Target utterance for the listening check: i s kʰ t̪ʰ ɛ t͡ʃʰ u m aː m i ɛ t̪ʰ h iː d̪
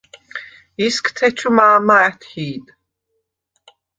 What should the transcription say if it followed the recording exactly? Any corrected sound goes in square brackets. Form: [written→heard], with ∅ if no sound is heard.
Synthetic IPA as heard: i s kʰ t̪ʰ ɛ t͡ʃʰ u m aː m [i→a] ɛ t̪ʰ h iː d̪